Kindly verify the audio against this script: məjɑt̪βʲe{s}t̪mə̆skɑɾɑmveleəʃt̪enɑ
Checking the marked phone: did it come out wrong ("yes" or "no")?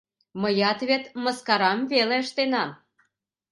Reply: yes